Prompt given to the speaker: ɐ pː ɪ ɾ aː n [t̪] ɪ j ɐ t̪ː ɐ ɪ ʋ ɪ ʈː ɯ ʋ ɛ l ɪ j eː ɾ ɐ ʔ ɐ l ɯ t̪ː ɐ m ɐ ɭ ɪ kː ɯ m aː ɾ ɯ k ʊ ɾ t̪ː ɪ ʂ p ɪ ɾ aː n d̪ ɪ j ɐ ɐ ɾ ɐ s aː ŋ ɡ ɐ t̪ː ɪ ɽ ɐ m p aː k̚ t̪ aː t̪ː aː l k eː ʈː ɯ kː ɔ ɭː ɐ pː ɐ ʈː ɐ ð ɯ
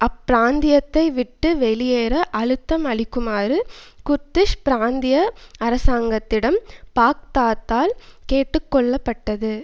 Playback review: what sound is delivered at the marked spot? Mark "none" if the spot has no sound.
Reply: d̪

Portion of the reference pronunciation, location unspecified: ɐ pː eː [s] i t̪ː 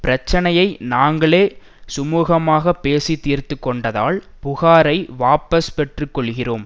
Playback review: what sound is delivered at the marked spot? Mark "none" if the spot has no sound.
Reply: s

